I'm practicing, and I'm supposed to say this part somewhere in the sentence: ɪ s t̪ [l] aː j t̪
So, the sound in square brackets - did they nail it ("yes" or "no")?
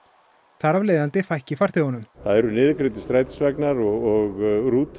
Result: no